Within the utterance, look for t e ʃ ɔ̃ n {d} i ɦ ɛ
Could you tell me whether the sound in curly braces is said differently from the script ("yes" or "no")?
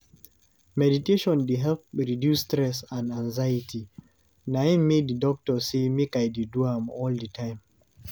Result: no